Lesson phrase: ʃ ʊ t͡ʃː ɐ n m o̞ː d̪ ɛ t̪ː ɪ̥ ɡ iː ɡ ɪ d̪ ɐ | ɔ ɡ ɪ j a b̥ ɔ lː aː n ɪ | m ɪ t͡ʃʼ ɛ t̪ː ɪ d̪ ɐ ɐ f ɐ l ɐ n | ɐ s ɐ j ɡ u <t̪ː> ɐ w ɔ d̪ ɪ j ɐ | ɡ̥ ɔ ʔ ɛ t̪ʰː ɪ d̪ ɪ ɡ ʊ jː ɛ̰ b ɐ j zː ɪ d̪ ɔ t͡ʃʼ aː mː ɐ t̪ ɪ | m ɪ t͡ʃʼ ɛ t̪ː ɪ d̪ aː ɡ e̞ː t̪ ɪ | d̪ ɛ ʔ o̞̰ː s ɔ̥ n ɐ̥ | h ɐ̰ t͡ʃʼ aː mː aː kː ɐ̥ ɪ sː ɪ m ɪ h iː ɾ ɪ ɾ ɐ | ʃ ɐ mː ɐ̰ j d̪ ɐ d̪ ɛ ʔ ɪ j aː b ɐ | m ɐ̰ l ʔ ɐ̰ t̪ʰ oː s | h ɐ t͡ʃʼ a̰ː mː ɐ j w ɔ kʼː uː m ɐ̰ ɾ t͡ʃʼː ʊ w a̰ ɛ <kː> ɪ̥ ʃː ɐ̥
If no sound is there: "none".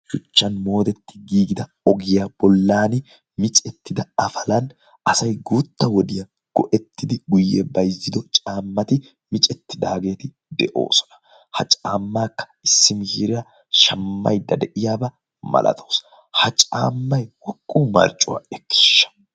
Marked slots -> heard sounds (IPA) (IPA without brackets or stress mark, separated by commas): t̪ː, kː